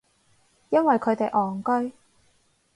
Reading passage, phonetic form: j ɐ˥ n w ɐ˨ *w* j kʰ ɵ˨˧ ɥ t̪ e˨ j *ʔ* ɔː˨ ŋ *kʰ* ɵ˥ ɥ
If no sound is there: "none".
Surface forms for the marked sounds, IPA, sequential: none, ʔ, k

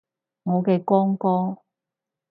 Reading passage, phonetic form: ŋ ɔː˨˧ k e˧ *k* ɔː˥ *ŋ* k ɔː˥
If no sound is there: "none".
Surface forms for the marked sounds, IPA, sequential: k, ŋ

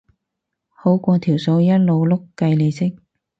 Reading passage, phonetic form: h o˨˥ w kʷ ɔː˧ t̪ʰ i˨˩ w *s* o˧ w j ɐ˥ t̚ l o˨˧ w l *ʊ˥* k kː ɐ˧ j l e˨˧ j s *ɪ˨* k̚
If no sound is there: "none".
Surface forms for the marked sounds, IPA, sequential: s, ʊ˥, ɪ˥

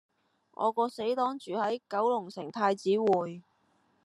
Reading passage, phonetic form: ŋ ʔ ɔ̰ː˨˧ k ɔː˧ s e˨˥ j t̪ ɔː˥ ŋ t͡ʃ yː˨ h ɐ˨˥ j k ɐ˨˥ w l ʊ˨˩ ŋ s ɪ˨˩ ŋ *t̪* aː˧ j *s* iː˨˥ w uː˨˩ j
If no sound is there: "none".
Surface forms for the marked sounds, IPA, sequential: t̪ʰ, t͡s

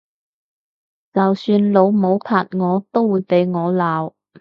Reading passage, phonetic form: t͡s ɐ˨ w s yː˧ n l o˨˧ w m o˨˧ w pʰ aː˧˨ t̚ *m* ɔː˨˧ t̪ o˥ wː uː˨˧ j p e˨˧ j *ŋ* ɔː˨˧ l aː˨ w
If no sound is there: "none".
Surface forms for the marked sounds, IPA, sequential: ŋ, ŋ

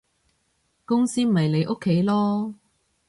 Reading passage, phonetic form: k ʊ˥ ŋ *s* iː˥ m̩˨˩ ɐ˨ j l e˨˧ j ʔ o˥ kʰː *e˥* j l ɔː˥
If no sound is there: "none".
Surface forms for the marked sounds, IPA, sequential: s, e˨˥

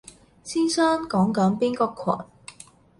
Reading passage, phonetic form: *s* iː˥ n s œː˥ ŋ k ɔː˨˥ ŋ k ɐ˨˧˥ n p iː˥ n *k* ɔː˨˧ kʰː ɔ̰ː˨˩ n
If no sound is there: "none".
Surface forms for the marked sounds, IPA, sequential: s, k

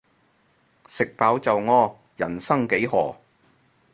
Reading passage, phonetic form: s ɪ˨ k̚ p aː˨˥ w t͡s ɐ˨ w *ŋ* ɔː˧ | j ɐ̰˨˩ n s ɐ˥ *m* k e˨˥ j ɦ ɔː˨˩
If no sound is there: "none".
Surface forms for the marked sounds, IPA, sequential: ŋ, ŋ

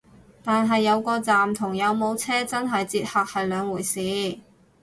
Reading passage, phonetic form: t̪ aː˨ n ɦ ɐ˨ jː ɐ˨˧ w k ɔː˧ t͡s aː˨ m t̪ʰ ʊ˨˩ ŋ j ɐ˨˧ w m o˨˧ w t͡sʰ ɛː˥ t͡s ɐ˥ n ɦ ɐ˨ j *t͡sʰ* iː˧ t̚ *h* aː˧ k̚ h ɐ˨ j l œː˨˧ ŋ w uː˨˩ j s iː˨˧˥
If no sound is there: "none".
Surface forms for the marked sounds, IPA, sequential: t͡s, h

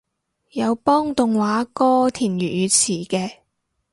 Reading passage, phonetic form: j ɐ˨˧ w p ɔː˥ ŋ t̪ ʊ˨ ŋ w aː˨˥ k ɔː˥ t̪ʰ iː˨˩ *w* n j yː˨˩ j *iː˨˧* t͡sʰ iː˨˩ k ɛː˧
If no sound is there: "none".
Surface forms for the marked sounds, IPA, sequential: none, yː˨˧

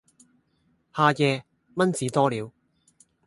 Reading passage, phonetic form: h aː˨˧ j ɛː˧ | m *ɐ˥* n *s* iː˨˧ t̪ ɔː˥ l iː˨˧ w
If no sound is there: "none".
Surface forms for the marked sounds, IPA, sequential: ɐ˥, t͡s

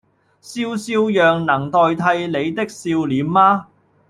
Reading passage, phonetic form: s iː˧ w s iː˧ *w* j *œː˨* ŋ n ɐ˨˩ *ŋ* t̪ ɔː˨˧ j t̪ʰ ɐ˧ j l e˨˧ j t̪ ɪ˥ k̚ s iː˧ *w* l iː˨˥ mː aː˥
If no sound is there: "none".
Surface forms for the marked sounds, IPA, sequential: w, œː˨, ŋ, w

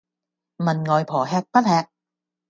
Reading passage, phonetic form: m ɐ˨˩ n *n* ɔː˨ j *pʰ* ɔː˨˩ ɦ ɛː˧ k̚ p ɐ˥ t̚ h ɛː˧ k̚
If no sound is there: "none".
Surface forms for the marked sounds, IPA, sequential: ŋ, pʰ

